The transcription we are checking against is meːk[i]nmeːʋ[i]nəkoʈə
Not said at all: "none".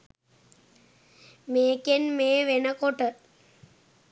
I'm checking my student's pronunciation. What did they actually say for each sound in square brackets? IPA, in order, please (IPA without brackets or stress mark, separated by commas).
e, e